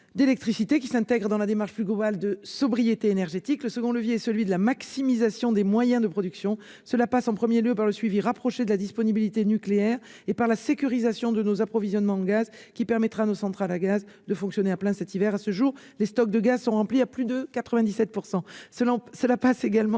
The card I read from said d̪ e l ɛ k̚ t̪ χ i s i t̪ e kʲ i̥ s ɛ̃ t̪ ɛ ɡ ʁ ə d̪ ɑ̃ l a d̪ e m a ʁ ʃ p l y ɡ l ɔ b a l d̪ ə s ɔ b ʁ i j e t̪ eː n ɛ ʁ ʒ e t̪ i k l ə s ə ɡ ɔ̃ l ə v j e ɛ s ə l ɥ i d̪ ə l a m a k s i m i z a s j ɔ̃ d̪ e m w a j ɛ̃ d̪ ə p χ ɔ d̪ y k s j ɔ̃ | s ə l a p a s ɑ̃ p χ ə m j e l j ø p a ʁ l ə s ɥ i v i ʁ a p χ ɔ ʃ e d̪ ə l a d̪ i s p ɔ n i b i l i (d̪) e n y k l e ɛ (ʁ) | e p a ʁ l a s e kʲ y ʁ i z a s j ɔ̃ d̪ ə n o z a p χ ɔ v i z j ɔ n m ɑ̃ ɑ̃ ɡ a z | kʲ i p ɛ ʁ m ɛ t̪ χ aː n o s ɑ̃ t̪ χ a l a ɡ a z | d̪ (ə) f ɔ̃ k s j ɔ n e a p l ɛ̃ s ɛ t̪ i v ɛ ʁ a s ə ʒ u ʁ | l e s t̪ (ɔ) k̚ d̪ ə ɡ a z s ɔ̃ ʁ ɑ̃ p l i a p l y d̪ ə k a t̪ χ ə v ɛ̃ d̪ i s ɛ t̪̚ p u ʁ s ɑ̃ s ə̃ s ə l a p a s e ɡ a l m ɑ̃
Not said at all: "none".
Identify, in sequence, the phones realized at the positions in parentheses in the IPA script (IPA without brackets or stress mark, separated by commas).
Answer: t̪, ʁ, ə, ɔ